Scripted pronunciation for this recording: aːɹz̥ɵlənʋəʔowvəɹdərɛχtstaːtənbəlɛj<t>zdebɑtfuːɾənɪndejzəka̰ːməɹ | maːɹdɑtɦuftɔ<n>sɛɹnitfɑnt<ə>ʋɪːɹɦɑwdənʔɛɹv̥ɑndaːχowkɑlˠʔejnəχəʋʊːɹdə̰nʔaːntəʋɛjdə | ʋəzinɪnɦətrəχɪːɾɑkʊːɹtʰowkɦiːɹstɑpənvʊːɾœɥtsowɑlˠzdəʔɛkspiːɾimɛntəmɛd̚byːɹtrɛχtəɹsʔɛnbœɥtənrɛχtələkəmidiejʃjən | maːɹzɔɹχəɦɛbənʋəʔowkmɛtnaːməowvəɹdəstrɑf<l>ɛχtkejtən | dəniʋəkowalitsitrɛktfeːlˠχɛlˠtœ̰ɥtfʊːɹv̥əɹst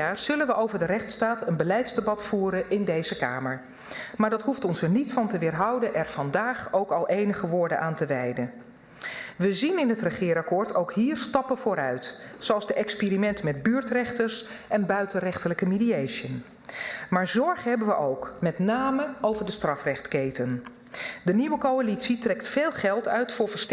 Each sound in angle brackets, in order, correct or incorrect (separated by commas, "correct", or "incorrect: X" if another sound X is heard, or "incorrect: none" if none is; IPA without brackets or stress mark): correct, correct, correct, incorrect: r